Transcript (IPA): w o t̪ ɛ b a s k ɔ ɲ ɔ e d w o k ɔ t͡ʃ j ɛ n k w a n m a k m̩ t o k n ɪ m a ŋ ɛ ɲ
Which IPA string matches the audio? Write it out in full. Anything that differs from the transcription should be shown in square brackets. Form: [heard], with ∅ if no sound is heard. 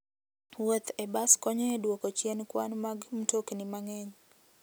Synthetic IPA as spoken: w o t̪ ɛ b a s k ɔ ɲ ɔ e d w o k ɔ t͡ʃ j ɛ n k w a n m a [ɡ] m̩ t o k n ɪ m a ŋ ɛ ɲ